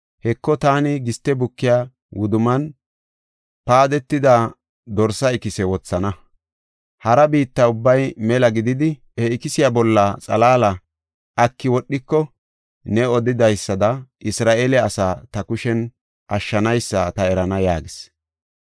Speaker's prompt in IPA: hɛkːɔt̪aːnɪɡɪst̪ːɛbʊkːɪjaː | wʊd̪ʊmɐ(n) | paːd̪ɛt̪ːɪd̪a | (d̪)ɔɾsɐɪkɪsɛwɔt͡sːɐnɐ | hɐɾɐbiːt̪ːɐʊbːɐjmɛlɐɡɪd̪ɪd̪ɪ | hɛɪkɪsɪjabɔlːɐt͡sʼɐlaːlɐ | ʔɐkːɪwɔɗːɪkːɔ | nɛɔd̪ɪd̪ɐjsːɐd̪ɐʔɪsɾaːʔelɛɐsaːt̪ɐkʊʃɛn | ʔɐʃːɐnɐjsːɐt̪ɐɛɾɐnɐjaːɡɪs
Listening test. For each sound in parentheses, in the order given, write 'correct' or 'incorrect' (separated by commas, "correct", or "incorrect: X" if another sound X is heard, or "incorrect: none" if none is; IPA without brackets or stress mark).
correct, correct